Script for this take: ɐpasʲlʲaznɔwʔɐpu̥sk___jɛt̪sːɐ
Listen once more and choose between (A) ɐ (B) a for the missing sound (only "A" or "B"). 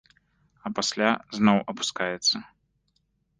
B